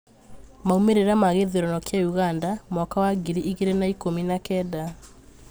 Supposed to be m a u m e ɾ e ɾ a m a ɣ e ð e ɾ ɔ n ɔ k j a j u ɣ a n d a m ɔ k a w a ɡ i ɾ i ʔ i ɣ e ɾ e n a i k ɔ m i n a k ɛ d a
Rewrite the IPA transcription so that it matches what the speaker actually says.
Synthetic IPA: m a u m e ɾ e ɾ a m a ɣ e ð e ɾ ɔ n ɔ k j a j u ɣ a n d a m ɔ k a w a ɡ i ɾ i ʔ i ɣ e ɾ e n a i k o m i n a k ɛ d a

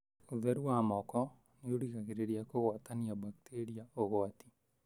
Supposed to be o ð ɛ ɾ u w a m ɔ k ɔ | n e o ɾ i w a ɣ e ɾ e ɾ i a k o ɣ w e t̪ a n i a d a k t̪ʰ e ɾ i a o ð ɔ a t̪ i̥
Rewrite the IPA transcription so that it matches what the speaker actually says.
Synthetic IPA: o ð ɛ ɾ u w a m ɔ k ɔ | n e o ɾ i ɣ a ɣ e ɾ e ɾ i a k o ɣ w a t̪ a n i a b a k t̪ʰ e ɾ i a o ɣ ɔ a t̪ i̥

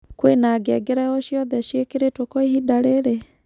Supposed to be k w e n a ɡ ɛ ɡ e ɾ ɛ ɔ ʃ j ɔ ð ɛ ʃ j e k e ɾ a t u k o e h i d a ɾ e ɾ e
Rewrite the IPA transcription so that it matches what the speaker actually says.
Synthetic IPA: k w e n a ɡ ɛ ɡ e ɾ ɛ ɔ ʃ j ɔ ð ɛ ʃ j e k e ɾ e t o k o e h i d a ɾ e ɾ e

